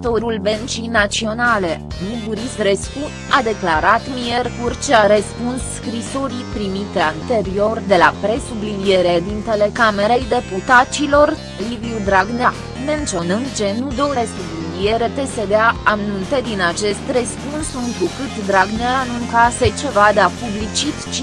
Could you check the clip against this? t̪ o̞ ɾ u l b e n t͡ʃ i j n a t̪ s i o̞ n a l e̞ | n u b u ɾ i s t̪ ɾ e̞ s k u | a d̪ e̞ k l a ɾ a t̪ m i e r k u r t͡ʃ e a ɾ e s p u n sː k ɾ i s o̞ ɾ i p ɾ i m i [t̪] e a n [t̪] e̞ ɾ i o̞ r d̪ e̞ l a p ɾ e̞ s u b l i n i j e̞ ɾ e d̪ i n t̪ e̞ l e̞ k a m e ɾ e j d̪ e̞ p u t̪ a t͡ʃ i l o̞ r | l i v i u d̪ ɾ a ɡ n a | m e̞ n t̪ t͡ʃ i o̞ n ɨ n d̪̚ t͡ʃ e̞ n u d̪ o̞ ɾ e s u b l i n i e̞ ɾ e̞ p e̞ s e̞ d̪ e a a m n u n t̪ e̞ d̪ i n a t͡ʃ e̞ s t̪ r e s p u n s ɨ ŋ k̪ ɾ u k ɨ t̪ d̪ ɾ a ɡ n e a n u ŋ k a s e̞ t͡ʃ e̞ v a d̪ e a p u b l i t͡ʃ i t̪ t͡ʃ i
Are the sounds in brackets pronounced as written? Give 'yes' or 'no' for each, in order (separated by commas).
yes, yes